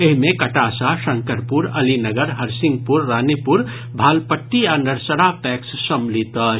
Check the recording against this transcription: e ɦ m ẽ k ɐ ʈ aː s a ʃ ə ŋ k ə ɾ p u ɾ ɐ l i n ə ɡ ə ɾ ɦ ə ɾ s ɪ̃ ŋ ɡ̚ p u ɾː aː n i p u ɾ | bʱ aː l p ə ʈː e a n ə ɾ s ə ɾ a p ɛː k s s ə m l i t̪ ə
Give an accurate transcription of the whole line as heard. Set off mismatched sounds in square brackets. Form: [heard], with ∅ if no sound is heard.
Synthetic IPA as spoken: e ɦ m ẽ k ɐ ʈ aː s a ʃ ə ŋ k ə ɾ p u ɾ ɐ l i n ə ɡ ə ɾ ɦ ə ɾ s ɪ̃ ŋ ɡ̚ p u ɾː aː n i p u ɾ | bʱ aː l p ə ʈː [i] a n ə ɾ s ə ɾ a p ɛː k s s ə m l i t̪ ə